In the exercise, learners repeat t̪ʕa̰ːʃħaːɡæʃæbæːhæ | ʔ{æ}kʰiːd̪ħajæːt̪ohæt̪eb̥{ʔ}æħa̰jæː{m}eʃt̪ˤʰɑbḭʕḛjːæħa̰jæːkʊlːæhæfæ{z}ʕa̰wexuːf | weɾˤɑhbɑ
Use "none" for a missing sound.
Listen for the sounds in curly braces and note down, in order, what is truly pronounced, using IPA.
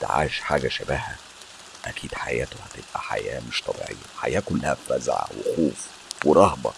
æ, ʔ, m, z

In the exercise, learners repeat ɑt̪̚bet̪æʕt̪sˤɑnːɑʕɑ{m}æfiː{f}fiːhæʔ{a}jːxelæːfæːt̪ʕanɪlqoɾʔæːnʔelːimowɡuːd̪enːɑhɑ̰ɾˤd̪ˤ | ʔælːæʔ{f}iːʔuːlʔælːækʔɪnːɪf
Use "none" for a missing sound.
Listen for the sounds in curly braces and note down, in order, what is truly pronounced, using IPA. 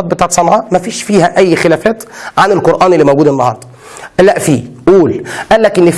m, ʃ, æ, f

